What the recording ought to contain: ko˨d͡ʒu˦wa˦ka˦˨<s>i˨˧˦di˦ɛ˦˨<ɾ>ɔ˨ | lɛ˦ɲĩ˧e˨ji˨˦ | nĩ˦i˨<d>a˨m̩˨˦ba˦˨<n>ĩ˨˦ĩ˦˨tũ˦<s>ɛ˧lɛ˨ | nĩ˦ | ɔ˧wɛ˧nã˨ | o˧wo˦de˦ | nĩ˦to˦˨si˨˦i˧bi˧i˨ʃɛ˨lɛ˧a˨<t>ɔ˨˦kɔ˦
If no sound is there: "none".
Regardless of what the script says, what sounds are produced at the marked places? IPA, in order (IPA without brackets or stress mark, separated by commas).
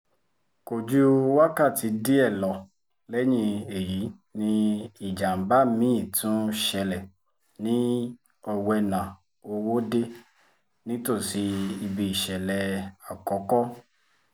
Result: t, l, d͡ʒ, m, ʃ, k